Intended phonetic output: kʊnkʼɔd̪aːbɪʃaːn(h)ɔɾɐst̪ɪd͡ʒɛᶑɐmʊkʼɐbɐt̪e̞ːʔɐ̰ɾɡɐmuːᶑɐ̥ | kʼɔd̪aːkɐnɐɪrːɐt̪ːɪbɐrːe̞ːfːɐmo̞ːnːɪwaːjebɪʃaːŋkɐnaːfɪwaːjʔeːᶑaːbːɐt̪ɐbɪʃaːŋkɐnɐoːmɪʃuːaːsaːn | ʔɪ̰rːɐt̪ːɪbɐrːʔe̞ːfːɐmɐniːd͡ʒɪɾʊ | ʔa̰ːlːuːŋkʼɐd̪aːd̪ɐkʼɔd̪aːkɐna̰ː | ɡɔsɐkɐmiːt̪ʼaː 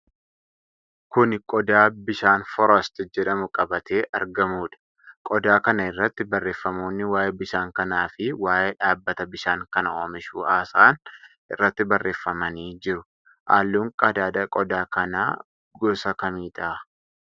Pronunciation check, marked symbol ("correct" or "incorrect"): incorrect